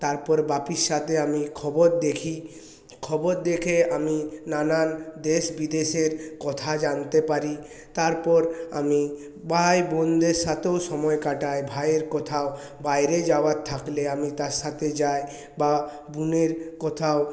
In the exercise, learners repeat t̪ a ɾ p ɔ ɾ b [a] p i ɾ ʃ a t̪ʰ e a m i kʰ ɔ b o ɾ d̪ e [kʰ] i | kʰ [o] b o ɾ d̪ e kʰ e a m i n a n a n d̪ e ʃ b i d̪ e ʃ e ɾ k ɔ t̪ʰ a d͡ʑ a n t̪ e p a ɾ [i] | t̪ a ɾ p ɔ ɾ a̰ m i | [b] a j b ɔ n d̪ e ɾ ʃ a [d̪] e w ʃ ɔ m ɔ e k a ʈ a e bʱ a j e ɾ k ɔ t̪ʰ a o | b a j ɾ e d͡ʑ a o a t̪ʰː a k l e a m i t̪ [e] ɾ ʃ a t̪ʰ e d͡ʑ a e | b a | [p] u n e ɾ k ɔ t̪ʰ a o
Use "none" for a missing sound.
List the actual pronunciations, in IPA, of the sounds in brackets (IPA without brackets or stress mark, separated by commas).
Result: a, kʰ, ɔ, i, b, t̪, a, b